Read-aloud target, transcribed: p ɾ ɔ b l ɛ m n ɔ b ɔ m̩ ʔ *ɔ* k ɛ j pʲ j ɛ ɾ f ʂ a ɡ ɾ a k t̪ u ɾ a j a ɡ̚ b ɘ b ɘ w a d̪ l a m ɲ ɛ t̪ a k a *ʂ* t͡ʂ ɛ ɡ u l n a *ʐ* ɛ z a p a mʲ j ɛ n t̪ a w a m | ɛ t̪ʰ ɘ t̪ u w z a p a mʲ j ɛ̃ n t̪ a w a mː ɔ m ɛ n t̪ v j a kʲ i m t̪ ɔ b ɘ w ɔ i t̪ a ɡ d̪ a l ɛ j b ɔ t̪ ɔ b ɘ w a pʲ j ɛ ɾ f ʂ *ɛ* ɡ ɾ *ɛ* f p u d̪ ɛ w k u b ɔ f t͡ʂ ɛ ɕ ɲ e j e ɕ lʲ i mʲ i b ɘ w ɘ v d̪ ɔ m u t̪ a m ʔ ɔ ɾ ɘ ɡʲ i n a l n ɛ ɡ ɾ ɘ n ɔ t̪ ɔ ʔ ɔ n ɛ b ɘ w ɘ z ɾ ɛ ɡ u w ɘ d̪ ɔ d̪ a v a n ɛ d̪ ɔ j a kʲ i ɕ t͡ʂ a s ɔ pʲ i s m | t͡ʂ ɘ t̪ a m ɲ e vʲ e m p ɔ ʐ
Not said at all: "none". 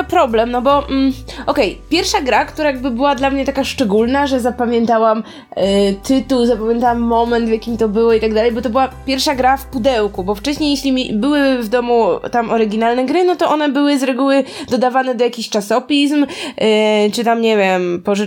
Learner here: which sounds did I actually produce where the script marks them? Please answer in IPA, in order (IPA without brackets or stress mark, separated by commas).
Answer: ɔ, ʂ, ʐ, a, a